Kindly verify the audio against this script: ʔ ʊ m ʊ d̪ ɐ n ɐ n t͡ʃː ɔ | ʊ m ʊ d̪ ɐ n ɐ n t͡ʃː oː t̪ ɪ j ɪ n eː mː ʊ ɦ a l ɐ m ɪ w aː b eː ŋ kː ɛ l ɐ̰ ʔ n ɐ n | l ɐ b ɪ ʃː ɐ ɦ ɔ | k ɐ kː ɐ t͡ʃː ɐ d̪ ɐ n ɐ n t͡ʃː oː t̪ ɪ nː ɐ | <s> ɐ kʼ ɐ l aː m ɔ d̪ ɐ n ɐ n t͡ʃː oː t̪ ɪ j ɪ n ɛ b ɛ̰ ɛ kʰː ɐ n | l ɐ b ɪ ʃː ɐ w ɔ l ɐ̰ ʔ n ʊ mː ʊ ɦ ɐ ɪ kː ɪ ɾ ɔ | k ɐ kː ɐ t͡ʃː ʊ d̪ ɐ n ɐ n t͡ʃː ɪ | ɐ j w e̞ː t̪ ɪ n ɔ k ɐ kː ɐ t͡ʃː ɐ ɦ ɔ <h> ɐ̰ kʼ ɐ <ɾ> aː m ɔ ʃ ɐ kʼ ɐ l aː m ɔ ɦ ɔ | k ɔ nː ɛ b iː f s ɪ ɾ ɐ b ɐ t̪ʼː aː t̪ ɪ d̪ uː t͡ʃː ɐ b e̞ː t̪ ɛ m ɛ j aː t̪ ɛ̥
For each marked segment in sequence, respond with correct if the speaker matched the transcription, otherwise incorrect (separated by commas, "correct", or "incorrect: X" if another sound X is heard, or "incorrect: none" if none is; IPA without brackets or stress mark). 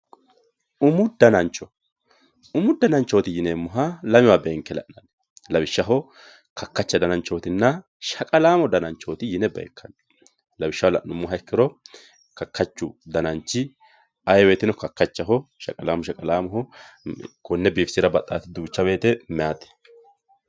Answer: incorrect: ʃ, incorrect: ʃ, incorrect: l